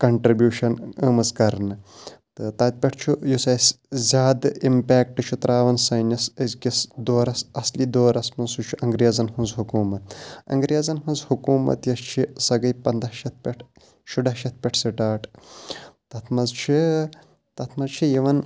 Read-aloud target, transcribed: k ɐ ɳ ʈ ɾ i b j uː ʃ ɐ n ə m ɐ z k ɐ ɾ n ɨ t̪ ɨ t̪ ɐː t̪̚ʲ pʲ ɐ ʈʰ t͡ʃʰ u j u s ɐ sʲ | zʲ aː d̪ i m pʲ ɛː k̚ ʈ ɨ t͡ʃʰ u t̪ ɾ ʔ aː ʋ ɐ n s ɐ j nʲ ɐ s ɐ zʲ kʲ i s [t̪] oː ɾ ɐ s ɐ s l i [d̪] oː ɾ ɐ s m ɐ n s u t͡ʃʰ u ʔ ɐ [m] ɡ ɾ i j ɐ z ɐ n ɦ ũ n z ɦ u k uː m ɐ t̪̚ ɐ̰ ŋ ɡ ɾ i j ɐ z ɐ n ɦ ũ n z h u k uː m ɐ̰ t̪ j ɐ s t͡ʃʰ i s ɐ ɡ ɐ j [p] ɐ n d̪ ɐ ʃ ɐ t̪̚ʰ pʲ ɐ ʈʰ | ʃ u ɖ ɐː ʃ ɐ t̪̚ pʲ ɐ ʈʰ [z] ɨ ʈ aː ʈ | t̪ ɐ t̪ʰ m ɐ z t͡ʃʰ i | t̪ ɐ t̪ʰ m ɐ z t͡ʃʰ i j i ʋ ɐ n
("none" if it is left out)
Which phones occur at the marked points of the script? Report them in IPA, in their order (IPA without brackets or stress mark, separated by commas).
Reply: d̪, d̪, ŋ, p, s